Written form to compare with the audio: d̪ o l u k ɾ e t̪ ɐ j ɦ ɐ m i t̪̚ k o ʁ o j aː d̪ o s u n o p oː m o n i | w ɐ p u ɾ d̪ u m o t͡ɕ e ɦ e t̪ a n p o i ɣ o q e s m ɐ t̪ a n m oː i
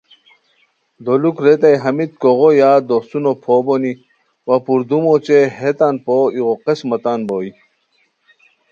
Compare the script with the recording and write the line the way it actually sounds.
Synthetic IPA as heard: d̪ o l u k ɾ e t̪ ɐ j ɦ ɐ m i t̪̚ k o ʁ o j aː d̪ o s u n o pʰ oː b o n i | w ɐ p u ɾ d̪ u m o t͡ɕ e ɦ e t̪ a n p o i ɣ o q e s m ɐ t̪ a n b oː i